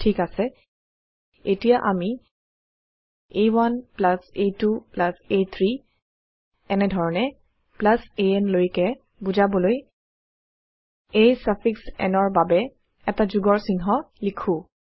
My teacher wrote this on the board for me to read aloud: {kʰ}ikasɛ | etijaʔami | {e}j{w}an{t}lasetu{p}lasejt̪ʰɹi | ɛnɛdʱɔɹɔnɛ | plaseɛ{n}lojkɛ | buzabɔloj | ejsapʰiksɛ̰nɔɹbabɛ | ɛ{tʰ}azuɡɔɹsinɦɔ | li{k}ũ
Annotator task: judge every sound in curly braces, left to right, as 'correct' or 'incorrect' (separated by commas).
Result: incorrect, correct, correct, incorrect, correct, correct, incorrect, incorrect